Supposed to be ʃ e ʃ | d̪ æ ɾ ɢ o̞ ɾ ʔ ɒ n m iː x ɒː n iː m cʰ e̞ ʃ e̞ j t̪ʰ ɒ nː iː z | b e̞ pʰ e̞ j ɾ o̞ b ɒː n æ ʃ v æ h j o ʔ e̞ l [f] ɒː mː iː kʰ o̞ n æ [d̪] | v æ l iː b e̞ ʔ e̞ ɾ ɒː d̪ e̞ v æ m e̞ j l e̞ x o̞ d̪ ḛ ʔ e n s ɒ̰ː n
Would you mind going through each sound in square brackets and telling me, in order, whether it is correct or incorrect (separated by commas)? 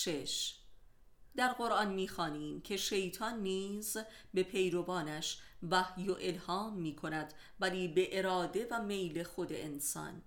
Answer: incorrect, correct